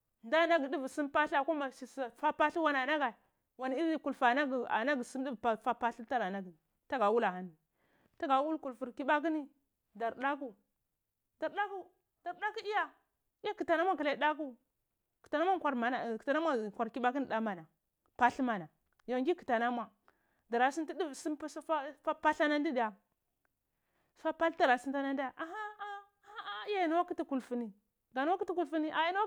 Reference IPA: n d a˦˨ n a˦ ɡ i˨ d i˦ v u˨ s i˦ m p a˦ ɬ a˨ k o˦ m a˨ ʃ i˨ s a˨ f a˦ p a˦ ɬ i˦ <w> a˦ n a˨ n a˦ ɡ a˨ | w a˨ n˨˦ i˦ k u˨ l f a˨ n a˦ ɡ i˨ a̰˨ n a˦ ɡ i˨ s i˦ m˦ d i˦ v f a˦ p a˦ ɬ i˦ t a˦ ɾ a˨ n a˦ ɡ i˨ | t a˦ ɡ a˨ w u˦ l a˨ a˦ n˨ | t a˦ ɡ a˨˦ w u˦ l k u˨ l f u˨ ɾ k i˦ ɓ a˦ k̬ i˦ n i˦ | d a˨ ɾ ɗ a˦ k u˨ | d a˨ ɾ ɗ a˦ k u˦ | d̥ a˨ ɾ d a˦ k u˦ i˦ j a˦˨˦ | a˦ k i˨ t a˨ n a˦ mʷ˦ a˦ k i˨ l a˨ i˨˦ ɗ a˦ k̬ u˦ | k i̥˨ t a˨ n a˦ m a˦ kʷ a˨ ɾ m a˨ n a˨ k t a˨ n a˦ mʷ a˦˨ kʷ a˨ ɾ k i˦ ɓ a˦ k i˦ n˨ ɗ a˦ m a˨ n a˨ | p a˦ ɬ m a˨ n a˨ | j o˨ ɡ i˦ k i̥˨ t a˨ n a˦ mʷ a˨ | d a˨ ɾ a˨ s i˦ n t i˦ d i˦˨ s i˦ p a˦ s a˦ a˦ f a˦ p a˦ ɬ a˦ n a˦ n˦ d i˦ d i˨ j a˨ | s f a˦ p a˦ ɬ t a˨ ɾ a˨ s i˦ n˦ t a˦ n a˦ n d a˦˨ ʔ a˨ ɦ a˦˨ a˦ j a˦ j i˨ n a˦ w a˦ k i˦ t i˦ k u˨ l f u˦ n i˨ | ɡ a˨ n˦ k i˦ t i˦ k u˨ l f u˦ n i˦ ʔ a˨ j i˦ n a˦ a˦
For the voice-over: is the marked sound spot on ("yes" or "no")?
yes